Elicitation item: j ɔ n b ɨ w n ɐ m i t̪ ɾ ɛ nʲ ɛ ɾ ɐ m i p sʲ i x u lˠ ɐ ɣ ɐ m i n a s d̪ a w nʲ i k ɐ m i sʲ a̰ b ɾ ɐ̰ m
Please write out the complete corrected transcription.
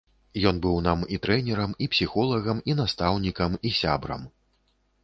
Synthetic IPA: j ɔ n b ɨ w n a m i t̪ ɾ ɛ nʲ ɛ ɾ ɐ m i p sʲ i x ɔ lˠ ɐ ɣ ɐ m i n a s t̪ a w nʲ i k ɐ m i sʲ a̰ b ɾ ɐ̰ m